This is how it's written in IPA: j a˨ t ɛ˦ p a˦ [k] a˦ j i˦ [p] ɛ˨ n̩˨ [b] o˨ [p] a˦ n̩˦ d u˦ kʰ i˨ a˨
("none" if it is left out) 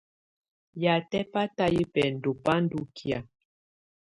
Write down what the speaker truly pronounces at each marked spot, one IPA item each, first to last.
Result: t, p, d, p

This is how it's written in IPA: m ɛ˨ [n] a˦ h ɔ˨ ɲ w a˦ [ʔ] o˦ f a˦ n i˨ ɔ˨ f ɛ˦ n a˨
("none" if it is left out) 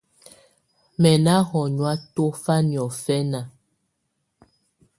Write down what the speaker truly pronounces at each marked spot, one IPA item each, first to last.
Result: n, t

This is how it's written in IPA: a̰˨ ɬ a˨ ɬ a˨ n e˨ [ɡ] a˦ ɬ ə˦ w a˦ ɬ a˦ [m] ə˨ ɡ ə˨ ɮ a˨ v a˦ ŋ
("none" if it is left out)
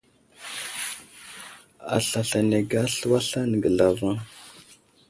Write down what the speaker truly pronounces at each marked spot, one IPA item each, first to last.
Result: ɡ, n

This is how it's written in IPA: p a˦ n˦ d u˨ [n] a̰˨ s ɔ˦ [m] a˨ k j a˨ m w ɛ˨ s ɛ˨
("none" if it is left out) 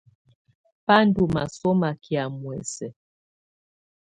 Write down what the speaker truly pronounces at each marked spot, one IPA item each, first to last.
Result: m, m

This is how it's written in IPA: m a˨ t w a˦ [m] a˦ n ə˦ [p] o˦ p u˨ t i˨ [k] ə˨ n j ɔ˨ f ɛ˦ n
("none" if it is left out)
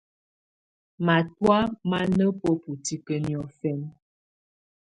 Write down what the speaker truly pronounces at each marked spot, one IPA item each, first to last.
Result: m, p, k

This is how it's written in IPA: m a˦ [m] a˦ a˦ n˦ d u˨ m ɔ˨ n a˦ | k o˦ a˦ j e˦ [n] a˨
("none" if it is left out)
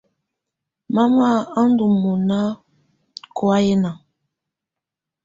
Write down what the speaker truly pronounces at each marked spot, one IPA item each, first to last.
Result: m, n

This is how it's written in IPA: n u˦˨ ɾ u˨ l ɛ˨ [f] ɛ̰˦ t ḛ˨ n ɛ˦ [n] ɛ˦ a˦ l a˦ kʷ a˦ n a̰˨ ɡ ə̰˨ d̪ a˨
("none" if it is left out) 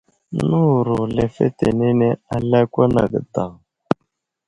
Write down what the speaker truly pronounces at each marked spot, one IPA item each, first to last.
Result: f, n

